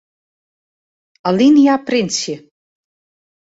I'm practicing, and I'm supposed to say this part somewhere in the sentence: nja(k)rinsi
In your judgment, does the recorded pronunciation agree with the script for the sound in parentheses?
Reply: no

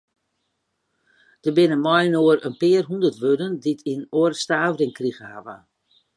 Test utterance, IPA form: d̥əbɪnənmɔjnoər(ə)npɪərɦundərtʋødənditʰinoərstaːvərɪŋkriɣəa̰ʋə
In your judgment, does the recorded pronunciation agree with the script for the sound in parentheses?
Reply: yes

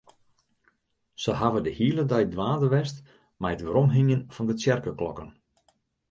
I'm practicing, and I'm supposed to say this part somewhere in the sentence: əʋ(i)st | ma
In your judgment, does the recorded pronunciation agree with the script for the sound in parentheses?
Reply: no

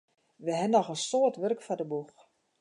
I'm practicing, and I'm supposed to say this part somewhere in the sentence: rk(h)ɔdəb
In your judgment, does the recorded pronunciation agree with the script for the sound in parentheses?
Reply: no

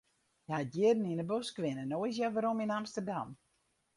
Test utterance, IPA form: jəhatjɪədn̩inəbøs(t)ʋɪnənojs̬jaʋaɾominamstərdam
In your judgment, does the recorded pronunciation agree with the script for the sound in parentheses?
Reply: no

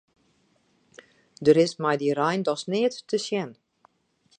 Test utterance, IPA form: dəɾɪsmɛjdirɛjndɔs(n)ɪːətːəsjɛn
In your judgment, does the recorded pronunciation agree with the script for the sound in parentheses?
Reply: yes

